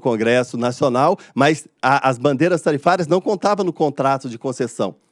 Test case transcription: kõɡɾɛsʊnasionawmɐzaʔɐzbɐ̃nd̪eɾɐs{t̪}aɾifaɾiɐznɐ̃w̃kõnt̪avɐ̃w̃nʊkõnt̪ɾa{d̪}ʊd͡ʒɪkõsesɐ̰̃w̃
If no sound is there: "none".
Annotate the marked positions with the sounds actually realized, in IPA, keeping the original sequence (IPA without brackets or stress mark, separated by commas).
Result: t̪, t̪